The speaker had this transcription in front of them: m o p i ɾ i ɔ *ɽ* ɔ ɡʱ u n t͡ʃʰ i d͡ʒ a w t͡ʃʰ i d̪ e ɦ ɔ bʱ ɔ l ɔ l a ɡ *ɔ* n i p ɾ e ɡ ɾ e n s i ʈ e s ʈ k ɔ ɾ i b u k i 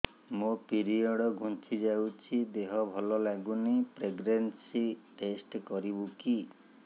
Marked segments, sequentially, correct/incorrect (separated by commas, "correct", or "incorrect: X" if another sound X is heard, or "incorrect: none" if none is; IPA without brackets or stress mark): correct, incorrect: u